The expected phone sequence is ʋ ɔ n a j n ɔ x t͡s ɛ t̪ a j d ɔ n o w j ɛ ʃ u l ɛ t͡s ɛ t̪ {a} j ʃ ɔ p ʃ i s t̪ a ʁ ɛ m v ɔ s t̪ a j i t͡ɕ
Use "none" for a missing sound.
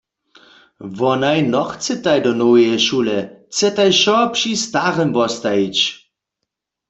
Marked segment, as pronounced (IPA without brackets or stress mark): a